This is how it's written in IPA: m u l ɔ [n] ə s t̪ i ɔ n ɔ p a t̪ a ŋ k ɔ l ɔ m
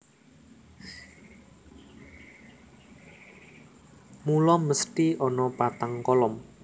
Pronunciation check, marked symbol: incorrect: m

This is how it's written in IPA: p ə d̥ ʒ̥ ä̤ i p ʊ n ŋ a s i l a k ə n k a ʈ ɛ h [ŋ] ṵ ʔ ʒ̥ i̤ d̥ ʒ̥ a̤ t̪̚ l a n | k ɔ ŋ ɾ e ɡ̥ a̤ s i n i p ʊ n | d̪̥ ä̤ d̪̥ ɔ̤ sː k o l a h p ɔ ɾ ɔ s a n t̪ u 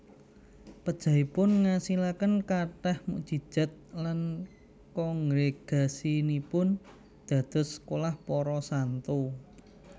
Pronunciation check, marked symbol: incorrect: m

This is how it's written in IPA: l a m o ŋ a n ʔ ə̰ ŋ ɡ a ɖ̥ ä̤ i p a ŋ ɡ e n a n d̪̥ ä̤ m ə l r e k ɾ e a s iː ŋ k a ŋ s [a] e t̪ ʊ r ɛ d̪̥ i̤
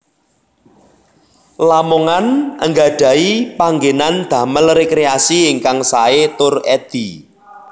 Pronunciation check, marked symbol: correct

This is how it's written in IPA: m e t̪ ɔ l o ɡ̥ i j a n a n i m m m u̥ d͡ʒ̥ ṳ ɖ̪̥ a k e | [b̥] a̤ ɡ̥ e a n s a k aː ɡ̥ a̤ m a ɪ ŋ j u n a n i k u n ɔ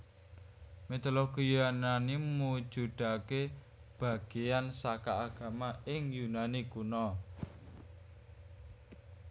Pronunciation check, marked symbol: correct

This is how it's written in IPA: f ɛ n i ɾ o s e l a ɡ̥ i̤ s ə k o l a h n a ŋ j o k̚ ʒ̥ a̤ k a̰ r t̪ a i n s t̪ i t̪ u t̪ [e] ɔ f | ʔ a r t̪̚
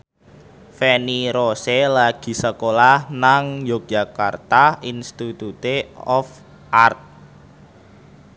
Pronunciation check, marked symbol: correct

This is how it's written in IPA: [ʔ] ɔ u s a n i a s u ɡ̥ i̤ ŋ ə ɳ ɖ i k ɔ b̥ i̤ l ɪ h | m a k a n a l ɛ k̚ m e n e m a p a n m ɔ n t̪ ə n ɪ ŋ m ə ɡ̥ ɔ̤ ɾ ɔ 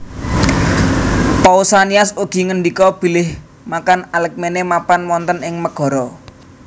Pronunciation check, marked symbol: incorrect: p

